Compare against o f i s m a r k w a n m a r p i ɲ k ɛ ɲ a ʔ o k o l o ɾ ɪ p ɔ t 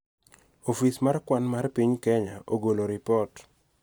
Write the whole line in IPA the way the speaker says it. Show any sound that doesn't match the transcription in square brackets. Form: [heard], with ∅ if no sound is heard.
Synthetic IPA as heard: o f i s m a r k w a n m a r p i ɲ k ɛ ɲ a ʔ o [ɡ] o l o ɾ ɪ p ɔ t